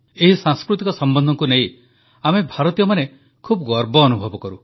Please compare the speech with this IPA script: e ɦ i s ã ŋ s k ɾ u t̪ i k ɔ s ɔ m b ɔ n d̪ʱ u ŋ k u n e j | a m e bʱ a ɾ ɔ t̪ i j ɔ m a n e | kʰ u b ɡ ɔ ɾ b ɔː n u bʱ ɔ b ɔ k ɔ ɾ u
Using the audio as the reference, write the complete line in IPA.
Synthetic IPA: e ɦ i s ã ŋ s k ɾ u t̪ i k ɔ s ɔ m b ɔ n d̪ʱ ɔ ŋ k u n e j | a m e bʱ a ɾ ɔ t̪ i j ɔ m a n e | kʰ u b ɡ ɔ ɾ b ɔː n u bʱ ɔ b ɔ k ɔ ɾ u